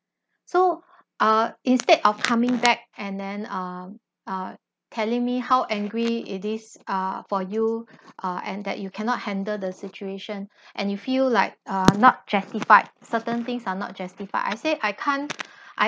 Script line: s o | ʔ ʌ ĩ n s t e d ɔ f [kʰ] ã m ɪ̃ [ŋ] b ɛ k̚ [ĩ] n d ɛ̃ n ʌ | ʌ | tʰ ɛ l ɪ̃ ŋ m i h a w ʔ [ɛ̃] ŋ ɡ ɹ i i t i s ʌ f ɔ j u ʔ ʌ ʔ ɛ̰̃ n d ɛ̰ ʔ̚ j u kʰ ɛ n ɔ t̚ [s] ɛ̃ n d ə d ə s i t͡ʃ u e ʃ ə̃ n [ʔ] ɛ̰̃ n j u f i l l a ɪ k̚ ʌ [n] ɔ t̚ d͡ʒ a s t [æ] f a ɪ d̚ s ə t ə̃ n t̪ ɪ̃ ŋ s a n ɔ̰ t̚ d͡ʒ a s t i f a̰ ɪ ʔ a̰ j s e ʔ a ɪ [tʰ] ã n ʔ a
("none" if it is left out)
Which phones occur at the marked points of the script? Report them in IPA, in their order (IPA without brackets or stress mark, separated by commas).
kʰ, ŋ, ɛ̃, ɛ̃, h, ʔ, n, i, kʰ